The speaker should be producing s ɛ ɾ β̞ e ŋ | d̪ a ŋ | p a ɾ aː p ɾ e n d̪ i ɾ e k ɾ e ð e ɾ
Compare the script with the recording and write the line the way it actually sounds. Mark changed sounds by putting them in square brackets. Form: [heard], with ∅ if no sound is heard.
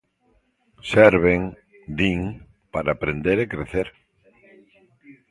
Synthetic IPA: s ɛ ɾ β̞ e ŋ | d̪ [i] ŋ | p a ɾ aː p ɾ e n d̪ [e] ɾ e k ɾ e [θ] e ɾ